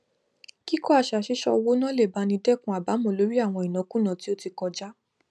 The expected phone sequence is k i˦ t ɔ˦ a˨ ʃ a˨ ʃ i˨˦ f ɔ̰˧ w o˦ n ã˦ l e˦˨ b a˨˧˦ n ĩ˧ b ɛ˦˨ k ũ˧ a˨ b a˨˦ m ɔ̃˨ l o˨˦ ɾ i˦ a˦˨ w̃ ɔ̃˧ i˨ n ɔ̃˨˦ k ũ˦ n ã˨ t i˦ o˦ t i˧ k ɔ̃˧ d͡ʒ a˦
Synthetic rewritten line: k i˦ k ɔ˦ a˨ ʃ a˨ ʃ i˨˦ ʃ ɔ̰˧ w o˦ n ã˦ l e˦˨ b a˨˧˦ n ĩ˧ d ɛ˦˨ k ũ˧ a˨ b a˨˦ m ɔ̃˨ l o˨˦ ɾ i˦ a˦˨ w̃ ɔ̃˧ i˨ n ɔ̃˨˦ k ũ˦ n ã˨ t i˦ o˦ t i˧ k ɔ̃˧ d͡ʒ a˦